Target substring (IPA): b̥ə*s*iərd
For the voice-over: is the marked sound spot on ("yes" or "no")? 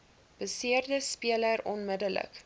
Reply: yes